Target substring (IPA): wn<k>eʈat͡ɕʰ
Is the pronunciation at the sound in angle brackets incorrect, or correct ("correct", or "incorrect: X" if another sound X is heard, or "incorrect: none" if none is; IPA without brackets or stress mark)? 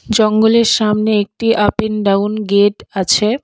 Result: incorrect: ɡ